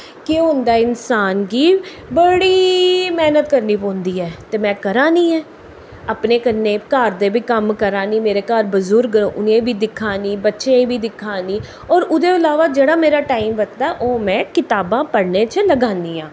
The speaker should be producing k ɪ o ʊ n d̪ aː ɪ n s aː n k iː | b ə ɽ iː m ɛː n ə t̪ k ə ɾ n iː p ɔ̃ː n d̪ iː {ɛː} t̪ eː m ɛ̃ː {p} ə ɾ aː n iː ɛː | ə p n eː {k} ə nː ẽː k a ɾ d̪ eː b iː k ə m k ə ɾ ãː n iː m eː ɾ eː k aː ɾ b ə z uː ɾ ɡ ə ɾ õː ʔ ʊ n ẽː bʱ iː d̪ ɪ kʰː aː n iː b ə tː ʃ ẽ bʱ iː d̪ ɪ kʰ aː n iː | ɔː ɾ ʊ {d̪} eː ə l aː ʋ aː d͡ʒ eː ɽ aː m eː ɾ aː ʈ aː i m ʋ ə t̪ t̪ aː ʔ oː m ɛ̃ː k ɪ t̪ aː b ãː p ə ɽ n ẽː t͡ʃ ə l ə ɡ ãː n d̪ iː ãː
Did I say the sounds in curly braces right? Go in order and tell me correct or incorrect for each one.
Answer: correct, incorrect: k, correct, correct

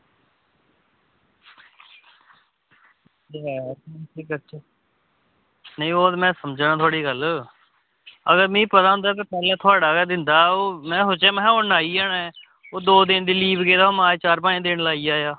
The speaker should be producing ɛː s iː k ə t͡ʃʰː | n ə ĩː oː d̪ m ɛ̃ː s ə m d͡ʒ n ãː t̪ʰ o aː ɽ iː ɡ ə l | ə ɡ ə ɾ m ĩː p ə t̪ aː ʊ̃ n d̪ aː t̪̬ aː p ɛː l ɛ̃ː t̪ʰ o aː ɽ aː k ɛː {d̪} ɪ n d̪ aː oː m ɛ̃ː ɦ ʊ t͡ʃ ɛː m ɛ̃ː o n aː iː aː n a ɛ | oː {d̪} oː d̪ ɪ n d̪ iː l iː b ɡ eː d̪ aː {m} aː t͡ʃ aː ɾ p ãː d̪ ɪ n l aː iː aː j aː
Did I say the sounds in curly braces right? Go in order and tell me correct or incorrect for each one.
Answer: correct, correct, correct

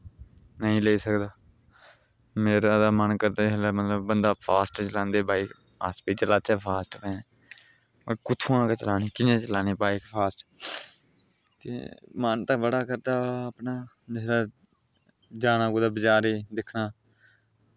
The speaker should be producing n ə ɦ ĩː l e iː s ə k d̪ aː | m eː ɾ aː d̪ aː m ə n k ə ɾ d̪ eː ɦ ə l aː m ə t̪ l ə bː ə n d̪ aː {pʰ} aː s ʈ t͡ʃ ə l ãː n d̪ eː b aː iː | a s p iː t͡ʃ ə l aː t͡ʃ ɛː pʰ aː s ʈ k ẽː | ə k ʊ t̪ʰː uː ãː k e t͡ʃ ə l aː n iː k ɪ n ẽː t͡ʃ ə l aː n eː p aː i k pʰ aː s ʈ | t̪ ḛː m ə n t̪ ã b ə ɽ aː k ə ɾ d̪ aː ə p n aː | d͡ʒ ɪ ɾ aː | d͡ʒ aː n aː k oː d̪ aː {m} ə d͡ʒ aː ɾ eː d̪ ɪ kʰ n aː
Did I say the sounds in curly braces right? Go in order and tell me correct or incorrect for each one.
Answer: correct, incorrect: b

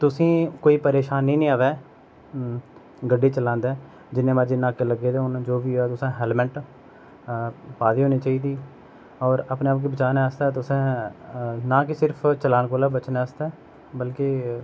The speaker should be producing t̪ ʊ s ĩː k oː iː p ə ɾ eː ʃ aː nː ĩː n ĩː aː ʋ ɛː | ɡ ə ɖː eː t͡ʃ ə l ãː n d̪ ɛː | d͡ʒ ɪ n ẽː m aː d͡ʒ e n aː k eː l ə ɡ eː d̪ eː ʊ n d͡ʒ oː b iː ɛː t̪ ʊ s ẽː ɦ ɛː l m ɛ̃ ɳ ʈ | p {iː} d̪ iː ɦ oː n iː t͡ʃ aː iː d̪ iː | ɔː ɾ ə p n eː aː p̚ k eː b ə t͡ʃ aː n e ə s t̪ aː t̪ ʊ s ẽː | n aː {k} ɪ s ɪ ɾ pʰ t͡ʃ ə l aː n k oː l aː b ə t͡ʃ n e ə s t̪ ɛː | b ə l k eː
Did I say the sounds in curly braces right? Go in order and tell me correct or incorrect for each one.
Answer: incorrect: aː, correct

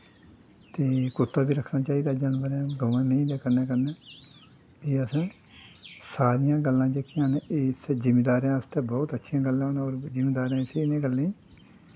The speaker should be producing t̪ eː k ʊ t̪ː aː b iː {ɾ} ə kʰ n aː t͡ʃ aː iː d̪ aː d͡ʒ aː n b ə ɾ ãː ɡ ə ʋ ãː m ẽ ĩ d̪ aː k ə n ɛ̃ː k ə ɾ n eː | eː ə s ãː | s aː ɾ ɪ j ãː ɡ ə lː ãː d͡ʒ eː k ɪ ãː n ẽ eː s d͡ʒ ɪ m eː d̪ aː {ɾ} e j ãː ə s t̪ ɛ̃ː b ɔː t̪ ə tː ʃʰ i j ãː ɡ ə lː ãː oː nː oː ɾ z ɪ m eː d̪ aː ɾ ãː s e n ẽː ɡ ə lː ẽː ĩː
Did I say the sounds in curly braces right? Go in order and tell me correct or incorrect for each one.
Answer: correct, correct

